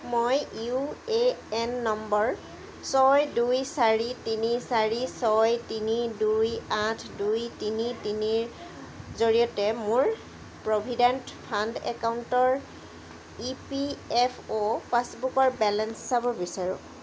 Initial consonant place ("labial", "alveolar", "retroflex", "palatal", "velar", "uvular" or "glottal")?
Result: labial